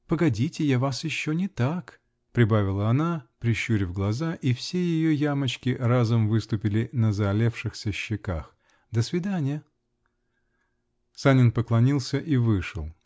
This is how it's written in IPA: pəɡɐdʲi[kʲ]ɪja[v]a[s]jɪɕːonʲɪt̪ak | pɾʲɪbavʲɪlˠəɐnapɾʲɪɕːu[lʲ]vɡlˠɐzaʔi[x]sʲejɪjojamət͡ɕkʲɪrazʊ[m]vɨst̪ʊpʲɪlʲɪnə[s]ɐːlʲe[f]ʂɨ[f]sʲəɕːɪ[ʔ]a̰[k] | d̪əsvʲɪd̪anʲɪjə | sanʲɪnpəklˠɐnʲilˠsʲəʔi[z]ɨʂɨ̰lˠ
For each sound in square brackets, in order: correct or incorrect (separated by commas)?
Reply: incorrect, correct, correct, incorrect, incorrect, correct, incorrect, correct, incorrect, incorrect, incorrect, incorrect